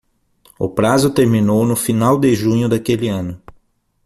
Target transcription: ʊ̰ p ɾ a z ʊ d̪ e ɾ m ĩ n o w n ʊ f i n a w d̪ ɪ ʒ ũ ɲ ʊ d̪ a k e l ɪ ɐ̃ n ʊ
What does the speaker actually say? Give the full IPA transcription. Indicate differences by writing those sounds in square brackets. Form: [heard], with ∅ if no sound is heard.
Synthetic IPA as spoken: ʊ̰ p ɾ a z ʊ [t̪] e ɾ m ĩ n o w n ʊ f i n a w d̪ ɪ ʒ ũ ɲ ʊ d̪ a k e l ɪ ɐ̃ n ʊ